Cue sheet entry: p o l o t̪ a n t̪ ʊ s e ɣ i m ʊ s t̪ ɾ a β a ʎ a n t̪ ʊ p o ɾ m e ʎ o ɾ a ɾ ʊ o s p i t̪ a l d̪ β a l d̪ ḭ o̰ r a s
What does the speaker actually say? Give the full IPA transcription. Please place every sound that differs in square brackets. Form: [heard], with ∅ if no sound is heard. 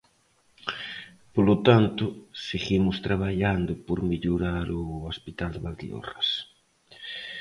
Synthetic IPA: p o l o t̪ a n t̪ ʊ s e ɣ i m ʊ s t̪ ɾ a β a ʎ a n [d̪] ʊ p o ɾ m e ʎ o ɾ a ɾ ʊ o s p i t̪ a l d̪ β a l d̪ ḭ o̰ r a s